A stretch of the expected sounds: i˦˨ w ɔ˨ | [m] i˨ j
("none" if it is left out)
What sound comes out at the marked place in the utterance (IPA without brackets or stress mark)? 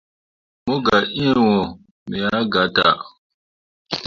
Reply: m